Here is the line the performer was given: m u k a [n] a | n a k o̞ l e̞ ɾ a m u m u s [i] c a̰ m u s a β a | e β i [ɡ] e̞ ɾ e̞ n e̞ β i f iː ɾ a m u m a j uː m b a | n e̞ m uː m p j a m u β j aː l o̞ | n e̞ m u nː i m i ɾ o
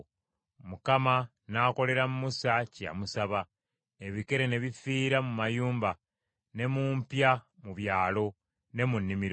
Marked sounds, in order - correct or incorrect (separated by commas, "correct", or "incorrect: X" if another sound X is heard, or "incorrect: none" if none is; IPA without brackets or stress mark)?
incorrect: m, incorrect: a, incorrect: k